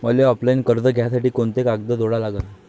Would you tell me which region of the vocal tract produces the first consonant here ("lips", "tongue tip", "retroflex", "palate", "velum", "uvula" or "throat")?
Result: lips